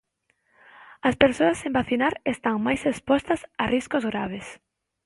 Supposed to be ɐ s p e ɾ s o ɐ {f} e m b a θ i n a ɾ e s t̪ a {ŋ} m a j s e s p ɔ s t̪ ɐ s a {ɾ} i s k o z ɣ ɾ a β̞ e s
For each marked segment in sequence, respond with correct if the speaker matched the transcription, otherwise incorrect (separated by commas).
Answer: incorrect, correct, incorrect